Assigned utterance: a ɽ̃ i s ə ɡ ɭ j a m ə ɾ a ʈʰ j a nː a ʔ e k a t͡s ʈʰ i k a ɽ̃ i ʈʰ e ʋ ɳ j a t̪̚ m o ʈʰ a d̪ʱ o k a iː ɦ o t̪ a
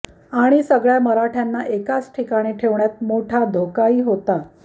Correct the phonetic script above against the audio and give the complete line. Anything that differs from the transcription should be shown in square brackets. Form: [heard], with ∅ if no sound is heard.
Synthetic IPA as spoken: a ɽ̃ i s ə ɡ ɭ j a m ə ɾ a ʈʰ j a nː a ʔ e k a t͡s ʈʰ i k a ɽ̃ i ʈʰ e ʋ ɳ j a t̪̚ m o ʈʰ a d̪ʱ o k a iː ɦ o t̪ a

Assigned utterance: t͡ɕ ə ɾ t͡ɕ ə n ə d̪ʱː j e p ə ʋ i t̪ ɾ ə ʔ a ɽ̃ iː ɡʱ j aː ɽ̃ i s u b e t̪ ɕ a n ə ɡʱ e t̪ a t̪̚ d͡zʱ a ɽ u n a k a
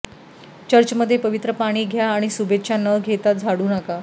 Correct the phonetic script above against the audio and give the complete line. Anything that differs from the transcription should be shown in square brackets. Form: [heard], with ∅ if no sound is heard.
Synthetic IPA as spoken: t͡ɕ ə ɾ t͡ɕ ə [m] ə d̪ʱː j e p ə ʋ i t̪ ɾ ə [p] a ɽ̃ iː ɡʱ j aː ɽ̃ i s u b e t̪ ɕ a n ə ɡʱ e t̪ a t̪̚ d͡zʱ a ɽ [uː] n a k a

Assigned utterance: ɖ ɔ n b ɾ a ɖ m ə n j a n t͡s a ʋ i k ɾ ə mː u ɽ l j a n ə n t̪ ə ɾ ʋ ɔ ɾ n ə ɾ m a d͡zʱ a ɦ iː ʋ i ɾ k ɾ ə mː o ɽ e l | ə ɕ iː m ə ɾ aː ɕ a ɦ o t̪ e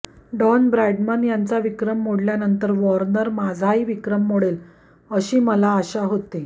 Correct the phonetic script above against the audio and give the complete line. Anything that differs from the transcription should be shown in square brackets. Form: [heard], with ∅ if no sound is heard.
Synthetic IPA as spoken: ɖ ɔ n b ɾ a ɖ m ə n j a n t͡s a ʋ i k ɾ ə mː [o] ɽ l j a n ə n t̪ ə ɾ ʋ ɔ ɾ n ə ɾ m a d͡zʱ a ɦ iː ʋ i [∅] k ɾ ə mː o ɽ e l | ə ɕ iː m ə [l] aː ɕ a ɦ o t̪ e

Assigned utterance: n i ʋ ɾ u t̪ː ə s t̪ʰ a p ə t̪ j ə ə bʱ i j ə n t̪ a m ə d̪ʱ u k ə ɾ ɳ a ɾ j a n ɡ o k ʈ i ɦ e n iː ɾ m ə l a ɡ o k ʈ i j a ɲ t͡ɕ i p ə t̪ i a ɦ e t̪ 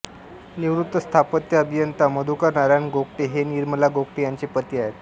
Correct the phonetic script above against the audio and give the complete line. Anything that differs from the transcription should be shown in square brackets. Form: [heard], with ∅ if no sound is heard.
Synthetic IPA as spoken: n i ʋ ɾ u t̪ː ə s t̪ʰ a p ə t̪ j ə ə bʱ i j ə n t̪ a m ə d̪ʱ u k ə ɾ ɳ a ɾ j a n ɡ o k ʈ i ɦ e n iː ɾ m ə l a ɡ o k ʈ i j a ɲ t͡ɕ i p ə t̪ i a ɦ e t̪

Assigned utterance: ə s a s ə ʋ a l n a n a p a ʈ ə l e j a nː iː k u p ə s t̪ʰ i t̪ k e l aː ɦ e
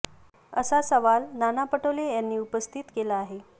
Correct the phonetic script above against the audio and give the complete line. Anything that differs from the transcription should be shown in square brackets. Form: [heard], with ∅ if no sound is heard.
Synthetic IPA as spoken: ə s a s ə ʋ a l n a n a p [ə] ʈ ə l e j a nː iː [∅] u p ə s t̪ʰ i t̪ k e l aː ɦ e

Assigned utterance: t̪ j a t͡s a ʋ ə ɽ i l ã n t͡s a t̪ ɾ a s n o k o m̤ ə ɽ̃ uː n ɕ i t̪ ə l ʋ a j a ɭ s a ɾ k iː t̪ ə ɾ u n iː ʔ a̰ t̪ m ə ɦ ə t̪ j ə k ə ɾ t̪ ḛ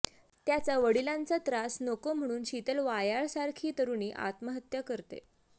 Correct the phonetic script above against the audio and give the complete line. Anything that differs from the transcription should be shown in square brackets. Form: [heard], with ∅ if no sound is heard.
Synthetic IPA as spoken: t̪ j a t͡s a ʋ ə ɽ i l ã n t͡s a t̪ ɾ a s n o k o m̤ ə ɽ̃ uː n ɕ i t̪ ə l ʋ a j a ɭ s a ɾ [kʰ] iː t̪ ə ɾ u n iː ʔ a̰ t̪ m ə ɦ ə t̪ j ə k ə ɾ t̪ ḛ

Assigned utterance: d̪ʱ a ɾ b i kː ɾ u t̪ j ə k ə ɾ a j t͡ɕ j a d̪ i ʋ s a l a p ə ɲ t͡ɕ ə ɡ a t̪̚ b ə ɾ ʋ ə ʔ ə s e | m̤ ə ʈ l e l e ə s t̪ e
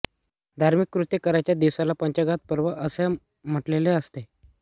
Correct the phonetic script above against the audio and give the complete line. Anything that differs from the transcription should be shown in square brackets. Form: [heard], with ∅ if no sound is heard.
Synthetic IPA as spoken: d̪ʱ a ɾ [m] i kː ɾ u t̪ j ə k ə ɾ a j t͡ɕ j a d̪ i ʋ s a l a p ə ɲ t͡ɕ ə ɡ a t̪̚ [p] ə ɾ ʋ ə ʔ ə s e | m̤ ə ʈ l e l e ə s t̪ e

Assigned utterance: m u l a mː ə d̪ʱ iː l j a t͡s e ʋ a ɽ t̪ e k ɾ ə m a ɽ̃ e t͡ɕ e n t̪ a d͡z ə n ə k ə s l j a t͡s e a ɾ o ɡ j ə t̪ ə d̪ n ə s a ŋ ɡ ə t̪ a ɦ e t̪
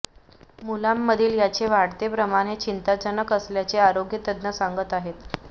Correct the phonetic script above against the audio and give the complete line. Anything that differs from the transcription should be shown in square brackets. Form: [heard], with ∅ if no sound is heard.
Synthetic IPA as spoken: m u l a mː ə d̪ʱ iː l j a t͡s e ʋ a ɽ t̪ e [p] ɾ ə m a ɽ̃ e t͡ɕ [i] n t̪ a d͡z ə n ə k ə s l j a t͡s e a ɾ o ɡ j ə t̪ ə d̪ n ə s a ŋ ɡ ə t̪ a ɦ e t̪

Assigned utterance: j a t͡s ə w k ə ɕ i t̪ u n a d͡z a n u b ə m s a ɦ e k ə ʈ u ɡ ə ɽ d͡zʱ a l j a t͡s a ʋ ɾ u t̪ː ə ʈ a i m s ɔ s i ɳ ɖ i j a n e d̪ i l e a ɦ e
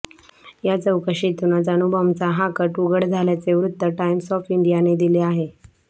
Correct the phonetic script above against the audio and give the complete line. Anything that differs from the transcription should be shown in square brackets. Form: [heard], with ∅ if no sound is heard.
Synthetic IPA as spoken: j a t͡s ə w k ə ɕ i t̪ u n a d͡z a n u b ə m [t͡s] a ɦ [a] k ə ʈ u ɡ ə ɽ d͡zʱ a l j a t͡s [e] ʋ ɾ u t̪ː ə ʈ a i m s ɔ [f] i ɳ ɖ i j a n e d̪ i l e a ɦ e

